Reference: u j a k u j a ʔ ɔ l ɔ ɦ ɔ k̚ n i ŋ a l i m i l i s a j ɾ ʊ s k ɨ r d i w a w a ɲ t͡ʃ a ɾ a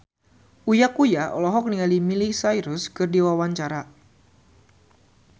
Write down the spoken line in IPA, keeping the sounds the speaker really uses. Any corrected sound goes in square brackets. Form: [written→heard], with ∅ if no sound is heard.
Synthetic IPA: u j a k u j a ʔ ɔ l ɔ ɦ ɔ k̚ n i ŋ a l i m i l i s a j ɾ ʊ s k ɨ r d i w a w a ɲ t͡ʃ a ɾ a